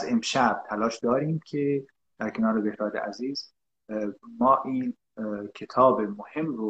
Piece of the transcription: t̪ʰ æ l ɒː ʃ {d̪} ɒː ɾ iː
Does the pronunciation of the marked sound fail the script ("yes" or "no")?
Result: no